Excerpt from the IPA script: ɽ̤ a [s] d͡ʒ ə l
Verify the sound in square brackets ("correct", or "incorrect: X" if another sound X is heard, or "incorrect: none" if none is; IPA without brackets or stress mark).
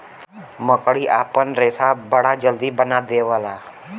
incorrect: none